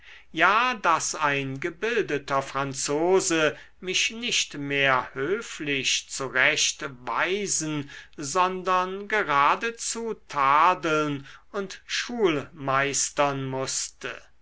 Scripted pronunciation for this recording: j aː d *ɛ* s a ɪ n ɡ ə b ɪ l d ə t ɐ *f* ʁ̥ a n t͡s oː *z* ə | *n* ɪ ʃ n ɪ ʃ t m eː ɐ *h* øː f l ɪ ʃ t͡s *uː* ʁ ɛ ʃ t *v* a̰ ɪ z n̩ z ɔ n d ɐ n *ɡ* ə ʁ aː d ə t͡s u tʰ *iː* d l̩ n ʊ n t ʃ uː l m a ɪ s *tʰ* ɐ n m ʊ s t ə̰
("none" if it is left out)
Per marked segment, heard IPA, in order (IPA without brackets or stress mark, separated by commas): a, f, z, m, h, u, v, ɡ, aː, t